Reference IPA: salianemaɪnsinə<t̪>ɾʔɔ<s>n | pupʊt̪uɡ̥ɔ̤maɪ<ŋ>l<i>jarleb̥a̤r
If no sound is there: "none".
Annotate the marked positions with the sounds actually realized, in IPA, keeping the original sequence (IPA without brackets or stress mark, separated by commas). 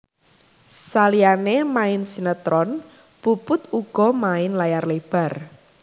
t̪, none, n, a